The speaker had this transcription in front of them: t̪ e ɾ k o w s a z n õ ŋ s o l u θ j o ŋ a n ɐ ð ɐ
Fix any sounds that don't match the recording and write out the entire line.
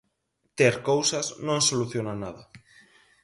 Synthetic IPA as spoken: t̪ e ɾ k o w s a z n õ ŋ s o l u θ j o n a n a ð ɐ